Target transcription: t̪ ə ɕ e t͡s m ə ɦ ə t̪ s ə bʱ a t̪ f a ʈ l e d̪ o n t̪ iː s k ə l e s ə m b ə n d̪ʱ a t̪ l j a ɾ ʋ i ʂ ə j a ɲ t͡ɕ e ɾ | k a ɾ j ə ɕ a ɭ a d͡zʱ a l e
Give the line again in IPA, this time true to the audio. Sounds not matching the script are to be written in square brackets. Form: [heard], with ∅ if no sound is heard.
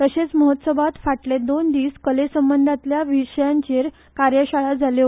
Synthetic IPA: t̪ ə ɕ e t͡s m ə ɦ ə t̪ s ə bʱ a t̪ f a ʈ l e d̪ o n [d̪] iː s k ə l e s ə m b ə n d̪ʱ a t̪ l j a [∅] ʋ i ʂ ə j a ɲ t͡ɕ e ɾ | k a ɾ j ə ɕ a ɭ a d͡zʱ a l e